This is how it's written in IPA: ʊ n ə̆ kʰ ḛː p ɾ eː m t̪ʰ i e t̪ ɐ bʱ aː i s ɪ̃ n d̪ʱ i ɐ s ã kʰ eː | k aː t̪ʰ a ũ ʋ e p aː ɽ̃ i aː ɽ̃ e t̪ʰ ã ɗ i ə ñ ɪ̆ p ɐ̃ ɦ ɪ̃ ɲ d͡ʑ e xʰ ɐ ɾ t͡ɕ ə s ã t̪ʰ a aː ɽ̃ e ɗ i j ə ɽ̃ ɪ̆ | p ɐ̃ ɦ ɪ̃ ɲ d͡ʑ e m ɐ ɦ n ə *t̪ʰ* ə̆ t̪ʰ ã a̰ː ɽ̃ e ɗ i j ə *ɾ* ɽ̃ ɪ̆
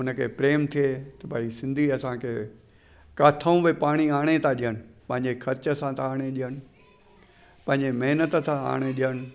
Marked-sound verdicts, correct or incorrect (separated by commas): incorrect, incorrect